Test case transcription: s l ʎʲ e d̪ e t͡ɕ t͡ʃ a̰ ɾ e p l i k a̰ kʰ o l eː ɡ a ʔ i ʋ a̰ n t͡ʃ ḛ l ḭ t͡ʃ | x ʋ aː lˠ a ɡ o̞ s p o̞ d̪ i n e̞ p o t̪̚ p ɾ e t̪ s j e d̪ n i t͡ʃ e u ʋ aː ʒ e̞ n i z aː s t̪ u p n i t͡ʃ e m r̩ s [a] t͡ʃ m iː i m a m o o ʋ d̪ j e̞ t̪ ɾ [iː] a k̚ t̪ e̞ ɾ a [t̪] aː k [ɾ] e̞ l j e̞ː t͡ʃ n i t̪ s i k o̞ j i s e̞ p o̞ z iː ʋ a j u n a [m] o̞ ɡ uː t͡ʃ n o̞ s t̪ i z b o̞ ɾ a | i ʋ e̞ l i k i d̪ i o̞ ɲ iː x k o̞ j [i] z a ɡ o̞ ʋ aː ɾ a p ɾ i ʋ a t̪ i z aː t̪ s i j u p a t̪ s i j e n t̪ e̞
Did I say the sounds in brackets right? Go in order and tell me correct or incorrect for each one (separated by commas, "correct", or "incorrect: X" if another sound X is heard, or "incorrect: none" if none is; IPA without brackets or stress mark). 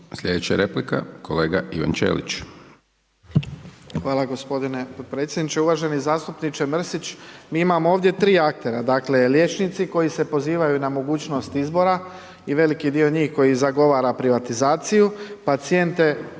incorrect: i, correct, incorrect: d̪, incorrect: l, correct, correct